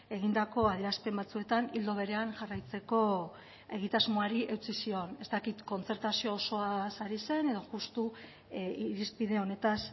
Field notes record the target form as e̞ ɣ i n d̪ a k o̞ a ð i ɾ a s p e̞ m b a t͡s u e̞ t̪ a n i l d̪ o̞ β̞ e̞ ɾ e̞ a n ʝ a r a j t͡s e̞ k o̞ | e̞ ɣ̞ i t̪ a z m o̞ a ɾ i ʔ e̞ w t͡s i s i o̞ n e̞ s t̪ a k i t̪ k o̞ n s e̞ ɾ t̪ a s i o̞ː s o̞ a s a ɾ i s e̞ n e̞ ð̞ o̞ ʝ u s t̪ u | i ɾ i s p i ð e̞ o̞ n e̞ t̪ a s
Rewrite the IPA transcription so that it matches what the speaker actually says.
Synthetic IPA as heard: e̞ ɣ i n d̪ a k o̞ a ð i ɾ a s p e̞ m b a t͡s u e̞ t̪ a n i l d̪ o̞ β̞ e̞ ɾ e̞ a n ʝ a r a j t͡s e̞ k o̞ | e̞ ɣ̞ i t̪ a z m o̞ a ɾ i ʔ e̞ w t͡s i s i o̞ n e̞ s t̪ a k i t̪ k o̞ n t͡s e̞ ɾ t̪ a s i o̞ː s o̞ a s a ɾ i s e̞ n e̞ ð̞ o̞ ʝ u s t̪ u | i ɾ i s p i ð e̞ o̞ n e̞ t̪ a s

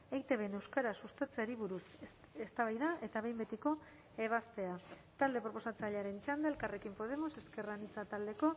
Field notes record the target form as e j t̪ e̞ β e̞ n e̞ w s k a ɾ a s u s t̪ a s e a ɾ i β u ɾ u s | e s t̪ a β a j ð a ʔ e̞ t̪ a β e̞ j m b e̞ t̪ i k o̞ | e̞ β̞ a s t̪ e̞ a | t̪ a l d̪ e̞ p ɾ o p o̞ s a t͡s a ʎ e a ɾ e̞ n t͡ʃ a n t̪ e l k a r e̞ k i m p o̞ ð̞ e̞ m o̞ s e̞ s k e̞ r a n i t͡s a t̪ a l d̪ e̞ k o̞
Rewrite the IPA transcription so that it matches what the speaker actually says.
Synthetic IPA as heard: e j t̪ e̞ β e̞ n e̞ w s k a ɾ a s u s t̪ a t͡s e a ɾ i β u ɾ u s | e s t̪ a β a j ð a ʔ e̞ t̪ a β e̞ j m b e̞ t̪ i k o̞ | e̞ β̞ a s t̪ e̞ a | t̪ a l d̪ e̞ p ɾ o p o̞ s a t͡s a ʎ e a ɾ e̞ n t͡ʃ a n d̪ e l k a r e̞ k i m p o̞ ð̞ e̞ m o̞ s e̞ s k e̞ r a n i t͡s a t̪ a l d̪ e̞ k o̞

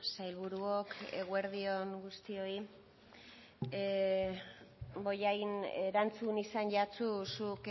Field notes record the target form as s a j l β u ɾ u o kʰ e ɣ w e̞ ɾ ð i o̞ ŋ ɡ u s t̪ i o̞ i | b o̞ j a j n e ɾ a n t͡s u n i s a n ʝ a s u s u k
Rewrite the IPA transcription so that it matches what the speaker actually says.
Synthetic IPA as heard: s a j l β u ɾ u o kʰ e ɣ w e̞ ɾ ð i o̞ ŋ ɡ u s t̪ i o̞ i | b o̞ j a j n e ɾ a n t͡s u n i s a n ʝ a t͡s u s u k

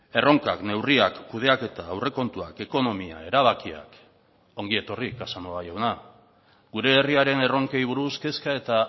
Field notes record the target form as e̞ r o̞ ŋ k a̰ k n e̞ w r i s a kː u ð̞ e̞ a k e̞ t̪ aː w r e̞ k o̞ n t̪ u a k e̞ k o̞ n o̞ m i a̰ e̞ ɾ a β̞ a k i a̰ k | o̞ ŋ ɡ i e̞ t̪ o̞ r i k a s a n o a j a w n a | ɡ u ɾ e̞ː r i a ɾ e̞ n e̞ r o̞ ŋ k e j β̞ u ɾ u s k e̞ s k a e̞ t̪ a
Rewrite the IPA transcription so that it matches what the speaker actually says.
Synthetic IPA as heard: e̞ r o̞ ŋ k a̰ k n e̞ w r i a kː u ð̞ e̞ a k e̞ t̪ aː w r e̞ k o̞ n t̪ u a k e̞ k o̞ n o̞ m i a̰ e̞ ɾ a β̞ a k i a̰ k | o̞ ŋ ɡ i e̞ t̪ o̞ r i k a s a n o a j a w n a | ɡ u ɾ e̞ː r i a ɾ e̞ n e̞ r o̞ ŋ k e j β̞ u ɾ u s k e̞ s k a e̞ t̪ a

